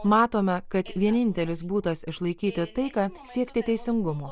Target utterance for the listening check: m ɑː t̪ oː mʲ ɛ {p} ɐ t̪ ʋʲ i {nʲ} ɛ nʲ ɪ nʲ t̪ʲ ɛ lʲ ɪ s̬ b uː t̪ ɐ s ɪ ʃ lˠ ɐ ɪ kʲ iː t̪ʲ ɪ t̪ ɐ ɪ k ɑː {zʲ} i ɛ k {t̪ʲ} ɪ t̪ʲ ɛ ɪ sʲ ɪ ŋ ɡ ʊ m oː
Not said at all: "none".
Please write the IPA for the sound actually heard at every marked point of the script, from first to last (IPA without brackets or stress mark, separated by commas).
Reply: k, none, sʲ, t̪ʲ